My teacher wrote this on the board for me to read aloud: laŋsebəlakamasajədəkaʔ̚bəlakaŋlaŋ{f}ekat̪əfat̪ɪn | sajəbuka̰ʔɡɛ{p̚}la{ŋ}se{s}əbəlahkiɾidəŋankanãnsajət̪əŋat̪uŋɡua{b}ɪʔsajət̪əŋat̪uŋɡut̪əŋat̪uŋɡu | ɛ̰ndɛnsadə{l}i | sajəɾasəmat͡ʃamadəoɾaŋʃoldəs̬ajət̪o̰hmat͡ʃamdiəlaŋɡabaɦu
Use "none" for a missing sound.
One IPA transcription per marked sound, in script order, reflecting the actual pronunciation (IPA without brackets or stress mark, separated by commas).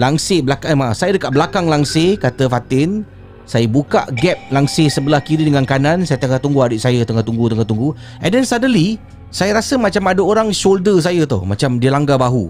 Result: s, p̚, ŋ, s, d, l